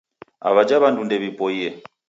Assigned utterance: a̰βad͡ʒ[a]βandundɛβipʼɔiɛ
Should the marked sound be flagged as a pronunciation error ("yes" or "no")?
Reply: no